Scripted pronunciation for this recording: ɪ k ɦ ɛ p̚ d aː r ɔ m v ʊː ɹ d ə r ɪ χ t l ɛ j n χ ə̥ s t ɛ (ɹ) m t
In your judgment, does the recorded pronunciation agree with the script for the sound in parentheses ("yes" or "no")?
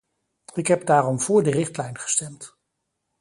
no